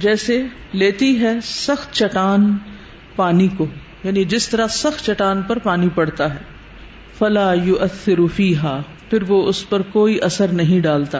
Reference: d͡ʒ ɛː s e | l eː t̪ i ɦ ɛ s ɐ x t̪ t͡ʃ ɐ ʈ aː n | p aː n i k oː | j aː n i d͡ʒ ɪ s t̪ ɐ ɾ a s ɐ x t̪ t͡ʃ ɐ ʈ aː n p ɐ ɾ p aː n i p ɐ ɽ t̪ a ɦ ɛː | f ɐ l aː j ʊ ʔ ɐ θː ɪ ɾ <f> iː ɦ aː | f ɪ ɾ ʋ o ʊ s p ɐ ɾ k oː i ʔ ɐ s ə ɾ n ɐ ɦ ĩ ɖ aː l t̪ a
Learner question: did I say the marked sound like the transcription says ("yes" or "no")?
yes